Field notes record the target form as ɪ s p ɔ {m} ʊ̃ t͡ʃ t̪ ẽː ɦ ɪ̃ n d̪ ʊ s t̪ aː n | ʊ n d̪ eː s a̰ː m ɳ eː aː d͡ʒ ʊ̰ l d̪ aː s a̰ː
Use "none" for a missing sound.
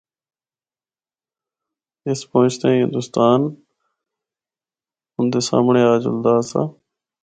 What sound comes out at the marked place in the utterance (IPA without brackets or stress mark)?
none